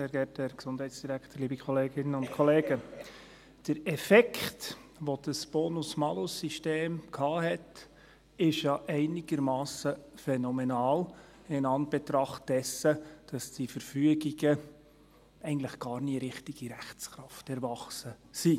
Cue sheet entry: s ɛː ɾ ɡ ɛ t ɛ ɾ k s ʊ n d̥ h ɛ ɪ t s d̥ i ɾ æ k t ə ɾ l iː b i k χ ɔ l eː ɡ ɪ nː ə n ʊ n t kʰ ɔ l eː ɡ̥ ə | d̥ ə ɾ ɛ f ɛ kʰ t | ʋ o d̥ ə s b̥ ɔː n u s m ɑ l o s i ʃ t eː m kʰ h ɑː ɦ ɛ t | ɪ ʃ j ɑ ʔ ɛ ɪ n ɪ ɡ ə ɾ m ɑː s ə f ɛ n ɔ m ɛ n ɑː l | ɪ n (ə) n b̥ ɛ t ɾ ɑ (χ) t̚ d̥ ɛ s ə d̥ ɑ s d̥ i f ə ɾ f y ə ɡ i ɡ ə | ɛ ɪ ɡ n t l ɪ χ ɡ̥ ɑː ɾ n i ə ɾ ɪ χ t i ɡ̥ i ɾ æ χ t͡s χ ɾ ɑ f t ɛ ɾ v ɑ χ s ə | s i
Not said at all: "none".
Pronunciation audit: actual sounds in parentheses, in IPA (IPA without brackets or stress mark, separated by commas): ɑ, χ